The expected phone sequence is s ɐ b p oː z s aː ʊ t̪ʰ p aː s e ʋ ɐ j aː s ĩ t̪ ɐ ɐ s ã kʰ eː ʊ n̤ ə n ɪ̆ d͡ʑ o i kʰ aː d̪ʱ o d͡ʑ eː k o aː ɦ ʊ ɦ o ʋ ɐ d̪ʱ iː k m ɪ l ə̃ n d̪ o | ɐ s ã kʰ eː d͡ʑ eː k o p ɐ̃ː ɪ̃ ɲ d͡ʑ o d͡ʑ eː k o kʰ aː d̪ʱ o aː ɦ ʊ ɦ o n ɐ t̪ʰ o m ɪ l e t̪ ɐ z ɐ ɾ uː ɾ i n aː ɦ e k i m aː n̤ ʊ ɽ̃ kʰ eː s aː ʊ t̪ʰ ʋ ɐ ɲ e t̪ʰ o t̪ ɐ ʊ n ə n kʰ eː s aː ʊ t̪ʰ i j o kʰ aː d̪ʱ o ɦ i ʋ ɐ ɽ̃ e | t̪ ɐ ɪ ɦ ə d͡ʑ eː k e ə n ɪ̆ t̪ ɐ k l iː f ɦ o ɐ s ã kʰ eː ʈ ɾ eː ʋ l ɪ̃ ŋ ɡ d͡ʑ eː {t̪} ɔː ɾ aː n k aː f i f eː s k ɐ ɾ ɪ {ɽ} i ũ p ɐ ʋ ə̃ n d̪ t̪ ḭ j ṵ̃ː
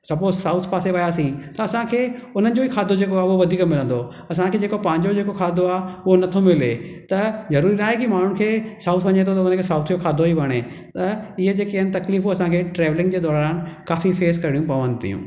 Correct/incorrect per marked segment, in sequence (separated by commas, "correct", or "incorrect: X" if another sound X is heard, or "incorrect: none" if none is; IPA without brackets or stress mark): incorrect: d̪, correct